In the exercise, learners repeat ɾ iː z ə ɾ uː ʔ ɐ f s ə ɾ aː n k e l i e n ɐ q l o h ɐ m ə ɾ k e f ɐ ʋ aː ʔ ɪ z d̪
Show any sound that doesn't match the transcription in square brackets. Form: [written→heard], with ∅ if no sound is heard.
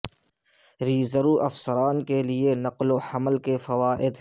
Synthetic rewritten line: ɾ iː z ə ɾ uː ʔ ɐ f s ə ɾ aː n k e l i e n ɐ q l o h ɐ m ə [ɾ→l] k e f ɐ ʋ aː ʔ ɪ [z→∅] d̪